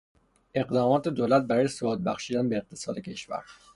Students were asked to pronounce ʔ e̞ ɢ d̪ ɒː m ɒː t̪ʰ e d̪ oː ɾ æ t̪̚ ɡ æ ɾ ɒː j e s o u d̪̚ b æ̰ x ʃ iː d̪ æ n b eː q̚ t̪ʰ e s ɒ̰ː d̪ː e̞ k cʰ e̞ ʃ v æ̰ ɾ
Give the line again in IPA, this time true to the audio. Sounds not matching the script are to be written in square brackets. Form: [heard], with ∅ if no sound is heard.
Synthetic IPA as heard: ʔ e̞ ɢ d̪ ɒː m ɒː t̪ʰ e d̪ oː [l] æ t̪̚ [b] æ ɾ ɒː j e s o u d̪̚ b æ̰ x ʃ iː d̪ æ n b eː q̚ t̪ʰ e s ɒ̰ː [d̪] e̞ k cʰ e̞ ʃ v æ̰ ɾ

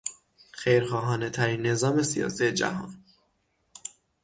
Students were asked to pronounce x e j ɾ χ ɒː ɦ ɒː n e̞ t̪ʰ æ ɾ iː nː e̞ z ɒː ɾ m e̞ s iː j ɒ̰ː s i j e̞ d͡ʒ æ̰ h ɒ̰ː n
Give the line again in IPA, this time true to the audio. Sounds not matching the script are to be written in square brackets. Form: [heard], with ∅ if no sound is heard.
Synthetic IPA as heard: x e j ɾ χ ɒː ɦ ɒː n e̞ t̪ʰ æ ɾ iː nː e̞ z ɒː [∅] m e̞ s [i] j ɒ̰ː s i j e̞ d͡ʒ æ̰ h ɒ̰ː n

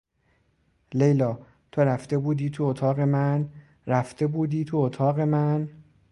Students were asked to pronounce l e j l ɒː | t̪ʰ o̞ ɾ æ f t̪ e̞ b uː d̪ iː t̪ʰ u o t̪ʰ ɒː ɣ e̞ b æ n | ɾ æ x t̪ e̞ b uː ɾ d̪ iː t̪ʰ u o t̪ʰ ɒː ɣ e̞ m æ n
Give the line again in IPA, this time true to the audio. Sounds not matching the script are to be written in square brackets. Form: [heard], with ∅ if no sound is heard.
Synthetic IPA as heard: l e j l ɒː | t̪ʰ o̞ ɾ æ f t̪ e̞ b uː d̪ iː t̪ʰ u o t̪ʰ ɒː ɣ e̞ [m] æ n | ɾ æ [f] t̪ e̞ b uː [∅] d̪ iː t̪ʰ u o t̪ʰ ɒː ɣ e̞ m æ n

